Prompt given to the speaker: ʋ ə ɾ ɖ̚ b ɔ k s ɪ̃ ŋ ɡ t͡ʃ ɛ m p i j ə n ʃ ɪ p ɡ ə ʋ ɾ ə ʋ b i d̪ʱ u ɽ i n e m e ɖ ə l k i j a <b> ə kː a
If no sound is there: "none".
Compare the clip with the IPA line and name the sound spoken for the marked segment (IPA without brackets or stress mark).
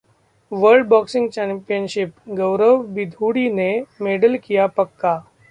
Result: p